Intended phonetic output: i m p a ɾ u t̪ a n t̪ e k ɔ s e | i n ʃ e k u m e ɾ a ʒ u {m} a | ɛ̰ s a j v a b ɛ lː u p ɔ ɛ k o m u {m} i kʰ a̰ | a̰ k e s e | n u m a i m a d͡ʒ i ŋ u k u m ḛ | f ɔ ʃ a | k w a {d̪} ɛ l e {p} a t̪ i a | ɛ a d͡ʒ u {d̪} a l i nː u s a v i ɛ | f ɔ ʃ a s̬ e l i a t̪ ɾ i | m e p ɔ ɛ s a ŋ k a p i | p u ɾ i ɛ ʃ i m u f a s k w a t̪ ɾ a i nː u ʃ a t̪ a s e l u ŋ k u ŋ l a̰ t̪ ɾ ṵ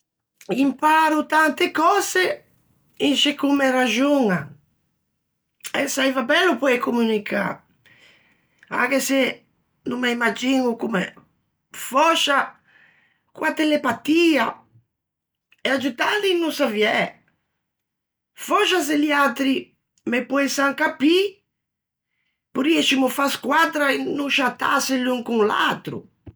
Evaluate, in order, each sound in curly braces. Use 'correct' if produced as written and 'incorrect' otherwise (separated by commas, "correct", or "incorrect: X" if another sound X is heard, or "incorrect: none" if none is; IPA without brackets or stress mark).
incorrect: ŋ, incorrect: n, incorrect: t̪, correct, incorrect: t̪